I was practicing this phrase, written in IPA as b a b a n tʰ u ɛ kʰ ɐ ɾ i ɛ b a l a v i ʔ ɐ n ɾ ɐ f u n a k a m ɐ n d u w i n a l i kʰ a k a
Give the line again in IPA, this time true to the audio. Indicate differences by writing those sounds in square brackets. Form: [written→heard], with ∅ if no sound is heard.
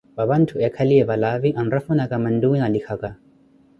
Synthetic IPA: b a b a n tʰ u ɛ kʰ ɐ [ɾ→l] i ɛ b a l a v i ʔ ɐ n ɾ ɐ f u n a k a m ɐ n d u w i n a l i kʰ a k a